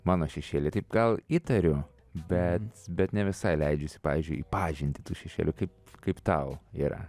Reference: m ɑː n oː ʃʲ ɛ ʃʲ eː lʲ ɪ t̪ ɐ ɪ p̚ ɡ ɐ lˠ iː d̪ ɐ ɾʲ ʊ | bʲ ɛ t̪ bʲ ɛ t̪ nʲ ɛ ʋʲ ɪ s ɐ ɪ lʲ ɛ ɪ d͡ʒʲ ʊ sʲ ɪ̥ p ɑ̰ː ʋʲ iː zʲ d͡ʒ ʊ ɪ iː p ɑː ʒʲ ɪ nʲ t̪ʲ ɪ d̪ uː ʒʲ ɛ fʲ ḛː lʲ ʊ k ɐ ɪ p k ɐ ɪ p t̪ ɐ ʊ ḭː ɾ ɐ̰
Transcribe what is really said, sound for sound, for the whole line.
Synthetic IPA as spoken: m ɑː n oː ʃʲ ɛ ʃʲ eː lʲ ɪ t̪ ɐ ɪ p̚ ɡ ɐ lˠ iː t̪ ɐ ɾʲ ʊ | bʲ ɛ t̪ bʲ ɛ t̪ nʲ ɛ ʋʲ ɪ s ɐ ɪ lʲ ɛ ɪ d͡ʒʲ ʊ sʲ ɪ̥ p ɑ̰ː ʋʲ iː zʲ d͡ʒ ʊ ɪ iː p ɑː ʒʲ ɪ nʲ t̪ʲ ɪ t̪ uː ʃʲ ɛ ʃʲ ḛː lʲ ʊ k ɐ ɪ p k ɐ ɪ p t̪ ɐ ʊ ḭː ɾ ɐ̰